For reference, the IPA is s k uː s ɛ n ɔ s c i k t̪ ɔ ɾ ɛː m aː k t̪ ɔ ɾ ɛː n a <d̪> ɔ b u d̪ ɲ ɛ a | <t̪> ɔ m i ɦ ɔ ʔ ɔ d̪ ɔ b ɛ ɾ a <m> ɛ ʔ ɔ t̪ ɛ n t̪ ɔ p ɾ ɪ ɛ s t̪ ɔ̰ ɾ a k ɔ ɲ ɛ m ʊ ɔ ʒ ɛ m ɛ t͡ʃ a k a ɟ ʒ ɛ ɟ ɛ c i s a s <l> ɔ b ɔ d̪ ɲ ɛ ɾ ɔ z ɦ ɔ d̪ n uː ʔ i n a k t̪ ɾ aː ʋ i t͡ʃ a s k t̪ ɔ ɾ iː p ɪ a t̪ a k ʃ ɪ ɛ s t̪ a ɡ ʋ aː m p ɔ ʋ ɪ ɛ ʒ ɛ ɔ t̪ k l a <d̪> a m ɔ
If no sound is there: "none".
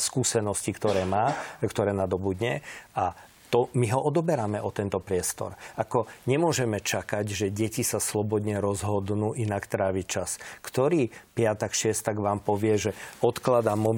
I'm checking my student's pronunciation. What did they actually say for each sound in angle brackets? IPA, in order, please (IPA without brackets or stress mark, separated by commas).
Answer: d̪, t̪, m, l, d̪